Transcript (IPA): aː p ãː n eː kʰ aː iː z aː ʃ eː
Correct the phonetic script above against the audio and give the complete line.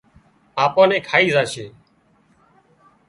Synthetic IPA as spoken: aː p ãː n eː kʰ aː iː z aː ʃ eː